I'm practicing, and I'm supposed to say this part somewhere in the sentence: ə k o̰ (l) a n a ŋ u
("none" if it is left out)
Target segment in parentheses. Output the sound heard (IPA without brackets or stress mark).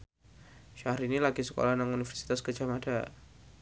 l